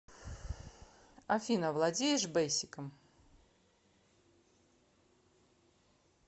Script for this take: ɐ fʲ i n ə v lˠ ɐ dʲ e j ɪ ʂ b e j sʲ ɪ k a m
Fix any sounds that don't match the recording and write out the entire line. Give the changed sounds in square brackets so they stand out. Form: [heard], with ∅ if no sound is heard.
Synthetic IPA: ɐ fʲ i n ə v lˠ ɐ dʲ e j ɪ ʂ b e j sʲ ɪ k [ə] m